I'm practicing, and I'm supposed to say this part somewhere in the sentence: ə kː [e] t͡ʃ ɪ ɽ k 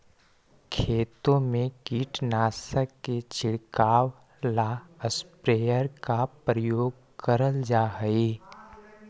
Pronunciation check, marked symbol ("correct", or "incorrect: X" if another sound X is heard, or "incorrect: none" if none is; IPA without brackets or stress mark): correct